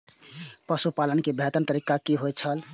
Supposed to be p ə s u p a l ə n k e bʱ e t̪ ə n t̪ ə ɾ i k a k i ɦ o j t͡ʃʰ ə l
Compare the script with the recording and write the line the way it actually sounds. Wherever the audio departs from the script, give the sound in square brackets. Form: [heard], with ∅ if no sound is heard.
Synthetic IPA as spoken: p ə s u p a l ə n k e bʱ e t̪ ə n t̪ ə ɾ i k a k i ɦ o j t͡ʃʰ ə l